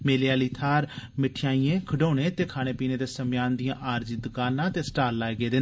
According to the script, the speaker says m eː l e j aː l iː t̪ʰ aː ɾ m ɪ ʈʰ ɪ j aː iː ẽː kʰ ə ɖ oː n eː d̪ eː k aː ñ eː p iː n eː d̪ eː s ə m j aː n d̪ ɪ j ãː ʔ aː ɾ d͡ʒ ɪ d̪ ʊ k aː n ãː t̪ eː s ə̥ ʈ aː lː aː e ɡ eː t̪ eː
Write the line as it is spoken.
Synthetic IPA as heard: m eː l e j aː l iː t̪ʰ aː ɾ m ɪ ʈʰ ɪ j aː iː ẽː kʰ ə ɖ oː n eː t̪ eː kʰ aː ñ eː p iː n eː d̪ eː s ə m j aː n d̪ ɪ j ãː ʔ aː ɾ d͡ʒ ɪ d̪ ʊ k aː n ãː t̪ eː s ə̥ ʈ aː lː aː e ɡ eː d̪ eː